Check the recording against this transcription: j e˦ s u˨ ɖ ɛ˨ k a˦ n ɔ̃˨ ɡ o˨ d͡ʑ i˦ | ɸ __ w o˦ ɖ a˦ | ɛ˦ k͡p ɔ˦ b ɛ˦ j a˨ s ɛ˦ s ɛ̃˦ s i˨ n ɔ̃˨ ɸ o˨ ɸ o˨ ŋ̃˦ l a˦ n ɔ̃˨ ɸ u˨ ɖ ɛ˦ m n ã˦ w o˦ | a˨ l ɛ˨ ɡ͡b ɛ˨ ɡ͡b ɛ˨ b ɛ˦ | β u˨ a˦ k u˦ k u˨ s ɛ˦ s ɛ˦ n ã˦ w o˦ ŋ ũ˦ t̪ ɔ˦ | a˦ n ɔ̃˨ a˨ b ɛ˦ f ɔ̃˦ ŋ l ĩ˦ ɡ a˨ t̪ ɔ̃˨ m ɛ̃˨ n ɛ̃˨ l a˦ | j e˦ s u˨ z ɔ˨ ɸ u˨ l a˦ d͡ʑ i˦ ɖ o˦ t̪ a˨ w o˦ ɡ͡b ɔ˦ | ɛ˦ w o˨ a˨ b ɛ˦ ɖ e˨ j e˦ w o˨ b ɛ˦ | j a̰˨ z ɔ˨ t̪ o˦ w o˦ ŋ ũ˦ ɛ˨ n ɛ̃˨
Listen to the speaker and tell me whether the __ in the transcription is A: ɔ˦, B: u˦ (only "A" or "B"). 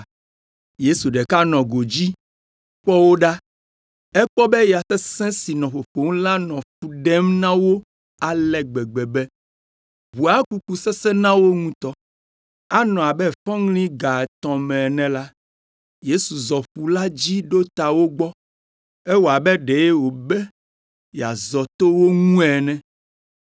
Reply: A